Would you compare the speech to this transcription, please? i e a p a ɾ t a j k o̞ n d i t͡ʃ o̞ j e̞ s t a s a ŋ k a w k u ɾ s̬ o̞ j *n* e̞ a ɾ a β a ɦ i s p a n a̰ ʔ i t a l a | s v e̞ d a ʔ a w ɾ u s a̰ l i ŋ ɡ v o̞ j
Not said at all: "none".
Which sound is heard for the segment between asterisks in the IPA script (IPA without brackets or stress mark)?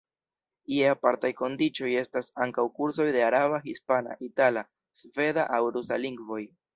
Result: d